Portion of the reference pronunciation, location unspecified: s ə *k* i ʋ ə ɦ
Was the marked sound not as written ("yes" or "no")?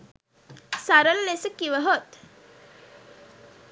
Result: no